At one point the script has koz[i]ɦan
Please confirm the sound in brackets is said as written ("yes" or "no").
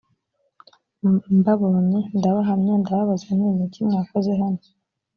no